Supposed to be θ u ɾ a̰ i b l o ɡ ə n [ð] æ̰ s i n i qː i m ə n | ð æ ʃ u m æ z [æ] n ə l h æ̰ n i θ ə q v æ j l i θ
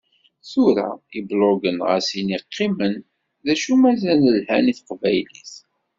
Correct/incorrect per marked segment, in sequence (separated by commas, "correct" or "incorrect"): incorrect, correct